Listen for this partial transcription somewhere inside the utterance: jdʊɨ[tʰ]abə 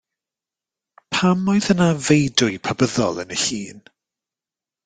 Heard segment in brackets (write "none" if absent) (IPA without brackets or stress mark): pʰ